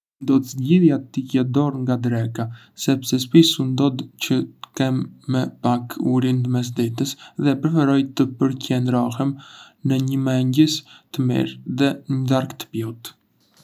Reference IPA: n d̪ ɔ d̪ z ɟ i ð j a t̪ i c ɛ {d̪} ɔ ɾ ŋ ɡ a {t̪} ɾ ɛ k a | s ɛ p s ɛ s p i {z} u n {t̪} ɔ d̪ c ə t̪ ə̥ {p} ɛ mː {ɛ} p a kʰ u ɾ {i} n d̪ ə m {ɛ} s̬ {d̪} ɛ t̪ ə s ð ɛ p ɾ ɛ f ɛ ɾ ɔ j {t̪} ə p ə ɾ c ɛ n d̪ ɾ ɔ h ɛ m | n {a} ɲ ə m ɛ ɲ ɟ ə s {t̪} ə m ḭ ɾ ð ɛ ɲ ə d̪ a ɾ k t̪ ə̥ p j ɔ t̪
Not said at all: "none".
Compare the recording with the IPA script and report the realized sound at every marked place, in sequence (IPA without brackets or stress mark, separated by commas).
d̪, d̪, s, d̪, k, ɛ, i, ɛ, d̪, t̪, ə, t̪